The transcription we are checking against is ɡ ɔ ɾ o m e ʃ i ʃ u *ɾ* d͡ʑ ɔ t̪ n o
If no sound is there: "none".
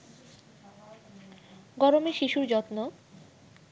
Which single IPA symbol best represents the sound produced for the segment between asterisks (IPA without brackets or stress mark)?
ɾ